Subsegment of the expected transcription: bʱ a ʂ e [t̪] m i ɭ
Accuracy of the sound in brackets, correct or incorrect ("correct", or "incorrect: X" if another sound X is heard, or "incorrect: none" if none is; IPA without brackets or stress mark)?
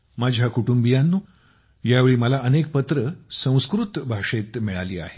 correct